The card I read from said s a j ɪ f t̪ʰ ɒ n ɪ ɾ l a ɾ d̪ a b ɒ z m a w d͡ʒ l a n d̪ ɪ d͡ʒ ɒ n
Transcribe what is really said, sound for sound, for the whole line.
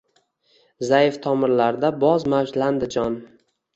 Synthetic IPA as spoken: z a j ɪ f t̪ʰ ɒ m ɪ ɾ l a ɾ d̪ a b ɒ z m a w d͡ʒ l a n d̪ ɪ d͡ʒ ɒ n